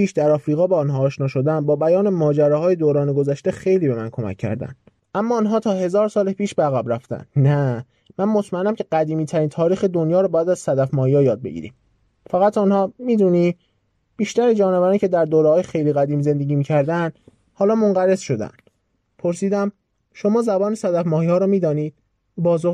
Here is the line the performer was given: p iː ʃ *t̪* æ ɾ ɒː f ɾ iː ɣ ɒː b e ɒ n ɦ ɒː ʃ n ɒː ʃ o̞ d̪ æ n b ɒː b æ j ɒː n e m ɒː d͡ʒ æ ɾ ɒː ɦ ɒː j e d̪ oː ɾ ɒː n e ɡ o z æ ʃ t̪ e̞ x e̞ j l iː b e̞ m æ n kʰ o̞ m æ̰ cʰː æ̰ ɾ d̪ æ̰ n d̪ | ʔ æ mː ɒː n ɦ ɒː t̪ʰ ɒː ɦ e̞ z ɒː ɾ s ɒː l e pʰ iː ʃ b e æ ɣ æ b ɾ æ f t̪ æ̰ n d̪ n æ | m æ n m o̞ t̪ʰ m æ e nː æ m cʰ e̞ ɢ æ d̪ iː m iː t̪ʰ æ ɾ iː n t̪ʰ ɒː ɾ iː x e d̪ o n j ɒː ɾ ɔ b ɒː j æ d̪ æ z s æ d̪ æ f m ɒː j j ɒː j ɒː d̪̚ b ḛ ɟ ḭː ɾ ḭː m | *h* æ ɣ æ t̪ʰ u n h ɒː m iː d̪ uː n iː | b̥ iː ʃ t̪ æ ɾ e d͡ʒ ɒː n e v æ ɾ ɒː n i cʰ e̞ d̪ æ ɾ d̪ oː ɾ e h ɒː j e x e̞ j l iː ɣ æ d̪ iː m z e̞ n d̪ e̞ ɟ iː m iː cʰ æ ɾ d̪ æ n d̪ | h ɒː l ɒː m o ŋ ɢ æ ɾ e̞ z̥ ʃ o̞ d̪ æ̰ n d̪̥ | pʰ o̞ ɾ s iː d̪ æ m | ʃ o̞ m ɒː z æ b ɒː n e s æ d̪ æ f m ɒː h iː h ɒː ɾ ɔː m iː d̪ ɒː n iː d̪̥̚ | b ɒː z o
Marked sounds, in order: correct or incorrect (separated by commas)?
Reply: incorrect, incorrect